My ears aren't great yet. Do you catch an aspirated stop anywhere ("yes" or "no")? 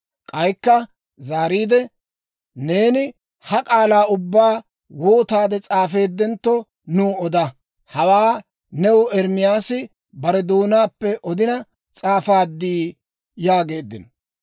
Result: no